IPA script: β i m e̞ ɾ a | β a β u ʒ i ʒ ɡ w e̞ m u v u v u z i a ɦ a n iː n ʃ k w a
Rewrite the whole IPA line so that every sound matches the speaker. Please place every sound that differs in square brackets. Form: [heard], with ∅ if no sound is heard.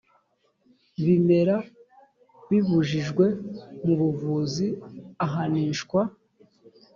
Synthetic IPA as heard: β i m e̞ ɾ a | β [i] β u ʒ i ʒ ɡ w e̞ m u [β] u v u z i a ɦ a n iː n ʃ k w a